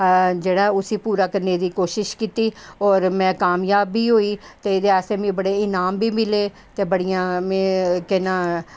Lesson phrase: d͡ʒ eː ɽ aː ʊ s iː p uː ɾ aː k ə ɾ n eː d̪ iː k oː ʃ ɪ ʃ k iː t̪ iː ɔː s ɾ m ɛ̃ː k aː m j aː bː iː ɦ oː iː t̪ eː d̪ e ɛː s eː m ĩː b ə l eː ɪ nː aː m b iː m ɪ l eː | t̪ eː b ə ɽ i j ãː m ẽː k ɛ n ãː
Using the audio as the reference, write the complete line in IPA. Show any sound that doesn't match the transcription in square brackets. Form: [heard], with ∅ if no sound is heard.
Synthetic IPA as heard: d͡ʒ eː ɽ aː ʊ s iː p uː ɾ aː k ə ɾ n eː d̪ iː k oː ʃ ɪ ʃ k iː t̪ iː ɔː [∅] ɾ m ɛ̃ː k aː m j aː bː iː ɦ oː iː t̪ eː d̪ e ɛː s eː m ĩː b ə [ɽ] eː ɪ [n] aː m b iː m ɪ l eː | t̪ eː b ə ɽ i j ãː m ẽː k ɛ n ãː

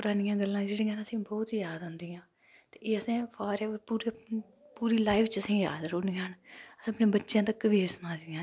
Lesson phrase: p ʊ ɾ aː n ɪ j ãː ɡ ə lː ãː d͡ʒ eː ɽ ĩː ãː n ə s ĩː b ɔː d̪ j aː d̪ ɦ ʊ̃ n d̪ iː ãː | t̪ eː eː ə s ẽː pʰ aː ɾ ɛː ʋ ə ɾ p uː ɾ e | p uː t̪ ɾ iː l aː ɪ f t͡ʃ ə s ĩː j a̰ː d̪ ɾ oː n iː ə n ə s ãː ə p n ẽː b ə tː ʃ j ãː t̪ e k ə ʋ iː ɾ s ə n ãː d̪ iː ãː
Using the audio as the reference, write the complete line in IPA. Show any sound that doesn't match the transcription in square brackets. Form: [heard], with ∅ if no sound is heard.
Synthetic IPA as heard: p ʊ ɾ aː n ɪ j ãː ɡ ə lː ãː d͡ʒ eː ɽ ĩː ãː n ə s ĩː b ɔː [t̪] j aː d̪ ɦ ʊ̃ n d̪ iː ãː | t̪ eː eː ə s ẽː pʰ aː ɾ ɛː ʋ ə ɾ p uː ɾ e | p uː [∅] ɾ iː l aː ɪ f t͡ʃ ə s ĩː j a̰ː d̪ ɾ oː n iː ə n ə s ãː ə p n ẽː b ə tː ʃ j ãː t̪ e k ə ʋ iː ɾ s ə n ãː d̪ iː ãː

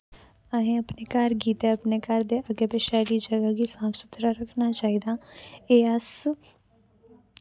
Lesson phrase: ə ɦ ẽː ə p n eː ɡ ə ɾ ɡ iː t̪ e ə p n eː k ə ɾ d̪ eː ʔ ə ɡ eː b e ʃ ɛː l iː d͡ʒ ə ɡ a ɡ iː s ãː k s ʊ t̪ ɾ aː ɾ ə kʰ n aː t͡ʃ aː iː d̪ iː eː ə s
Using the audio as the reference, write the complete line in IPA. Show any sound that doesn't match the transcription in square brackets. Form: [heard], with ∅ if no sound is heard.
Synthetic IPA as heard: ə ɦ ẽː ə p n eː [k] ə ɾ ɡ iː t̪ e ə p n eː k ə ɾ d̪ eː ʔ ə ɡ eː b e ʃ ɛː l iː d͡ʒ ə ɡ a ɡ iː s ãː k s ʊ t̪ ɾ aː ɾ ə kʰ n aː t͡ʃ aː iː d̪ [aː] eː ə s

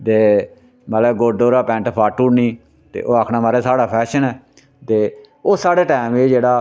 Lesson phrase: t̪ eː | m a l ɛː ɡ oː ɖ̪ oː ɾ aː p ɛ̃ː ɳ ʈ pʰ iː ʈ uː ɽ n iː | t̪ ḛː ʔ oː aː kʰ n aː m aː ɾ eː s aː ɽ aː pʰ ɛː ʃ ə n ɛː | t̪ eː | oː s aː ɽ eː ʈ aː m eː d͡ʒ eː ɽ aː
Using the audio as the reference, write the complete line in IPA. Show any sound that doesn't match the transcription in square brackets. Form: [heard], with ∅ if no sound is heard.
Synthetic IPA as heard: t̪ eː | m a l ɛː ɡ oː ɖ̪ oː ɾ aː p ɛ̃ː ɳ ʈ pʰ [aː] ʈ uː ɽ n iː | t̪ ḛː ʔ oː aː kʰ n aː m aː ɾ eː s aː ɽ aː pʰ ɛː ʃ ə n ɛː | t̪ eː | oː s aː ɽ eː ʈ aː m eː d͡ʒ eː ɽ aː

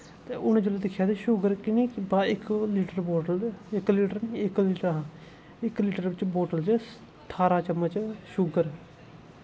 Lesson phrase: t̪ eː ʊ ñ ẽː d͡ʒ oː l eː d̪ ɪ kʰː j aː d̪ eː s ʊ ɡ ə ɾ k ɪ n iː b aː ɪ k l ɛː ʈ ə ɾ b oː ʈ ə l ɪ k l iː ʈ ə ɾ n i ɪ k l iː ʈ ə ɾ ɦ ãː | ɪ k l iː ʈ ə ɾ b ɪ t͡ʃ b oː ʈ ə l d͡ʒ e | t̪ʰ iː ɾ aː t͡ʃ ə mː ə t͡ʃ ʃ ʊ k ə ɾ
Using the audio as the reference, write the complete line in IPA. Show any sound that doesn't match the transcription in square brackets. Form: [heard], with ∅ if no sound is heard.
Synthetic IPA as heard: t̪ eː ʊ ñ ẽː d͡ʒ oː l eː d̪ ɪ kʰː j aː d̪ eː [ʃ] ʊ ɡ ə ɾ k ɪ n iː b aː ɪ k l [iː] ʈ ə ɾ b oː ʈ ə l ɪ k l iː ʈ ə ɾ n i ɪ k l iː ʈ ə ɾ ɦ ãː | ɪ k l iː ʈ ə ɾ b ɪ t͡ʃ b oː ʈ ə l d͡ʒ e | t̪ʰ [aː] ɾ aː t͡ʃ ə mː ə t͡ʃ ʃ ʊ [ɡ] ə ɾ

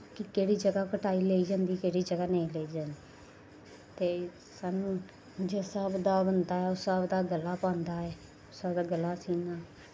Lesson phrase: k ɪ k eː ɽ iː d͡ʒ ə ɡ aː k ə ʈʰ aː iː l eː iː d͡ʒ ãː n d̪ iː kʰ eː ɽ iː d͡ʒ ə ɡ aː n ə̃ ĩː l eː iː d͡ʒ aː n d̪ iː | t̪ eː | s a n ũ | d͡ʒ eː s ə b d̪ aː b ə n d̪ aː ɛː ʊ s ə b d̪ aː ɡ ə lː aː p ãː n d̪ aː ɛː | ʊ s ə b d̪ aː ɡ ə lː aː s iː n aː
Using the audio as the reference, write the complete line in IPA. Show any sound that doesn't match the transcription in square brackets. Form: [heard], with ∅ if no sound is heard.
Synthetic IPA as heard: k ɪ k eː ɽ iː d͡ʒ ə ɡ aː k ə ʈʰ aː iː l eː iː d͡ʒ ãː n d̪ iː [k] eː ɽ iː d͡ʒ ə ɡ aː n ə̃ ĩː l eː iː d͡ʒ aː n d̪ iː | t̪ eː | s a n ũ | d͡ʒ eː s ə b d̪ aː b ə n d̪ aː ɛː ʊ s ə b d̪ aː ɡ ə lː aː p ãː n d̪ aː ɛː | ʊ s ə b d̪ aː ɡ ə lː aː s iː n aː

